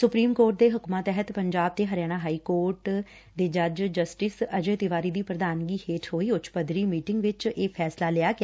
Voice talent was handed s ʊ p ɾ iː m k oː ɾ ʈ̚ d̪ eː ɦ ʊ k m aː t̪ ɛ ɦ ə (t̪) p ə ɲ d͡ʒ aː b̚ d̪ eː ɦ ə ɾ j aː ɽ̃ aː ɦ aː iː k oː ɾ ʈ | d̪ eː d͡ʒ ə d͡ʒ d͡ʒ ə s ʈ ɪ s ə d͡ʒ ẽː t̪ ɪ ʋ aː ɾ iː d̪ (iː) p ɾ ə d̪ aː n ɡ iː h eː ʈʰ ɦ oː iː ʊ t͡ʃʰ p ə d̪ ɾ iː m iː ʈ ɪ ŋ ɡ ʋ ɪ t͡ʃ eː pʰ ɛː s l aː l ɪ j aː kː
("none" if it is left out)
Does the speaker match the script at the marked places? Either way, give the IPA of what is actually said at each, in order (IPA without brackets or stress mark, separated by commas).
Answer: t̪, iː